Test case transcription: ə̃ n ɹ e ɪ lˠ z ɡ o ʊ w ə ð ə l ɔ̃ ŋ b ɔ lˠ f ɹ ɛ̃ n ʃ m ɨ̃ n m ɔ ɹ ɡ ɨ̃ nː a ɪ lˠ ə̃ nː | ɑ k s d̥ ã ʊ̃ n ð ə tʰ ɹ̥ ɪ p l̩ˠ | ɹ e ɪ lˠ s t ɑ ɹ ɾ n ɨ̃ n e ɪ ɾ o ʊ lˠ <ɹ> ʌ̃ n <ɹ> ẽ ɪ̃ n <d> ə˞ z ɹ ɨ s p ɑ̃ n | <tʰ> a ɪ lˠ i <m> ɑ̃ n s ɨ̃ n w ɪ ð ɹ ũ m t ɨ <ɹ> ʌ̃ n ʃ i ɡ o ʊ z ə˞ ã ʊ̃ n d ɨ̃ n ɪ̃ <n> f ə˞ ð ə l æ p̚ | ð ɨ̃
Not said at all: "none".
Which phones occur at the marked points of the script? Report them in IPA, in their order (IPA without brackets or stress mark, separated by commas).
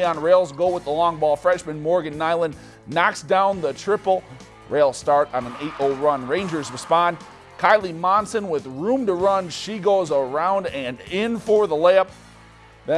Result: ɹ, ɹ, d͡ʒ, kʰ, m, ɹ, n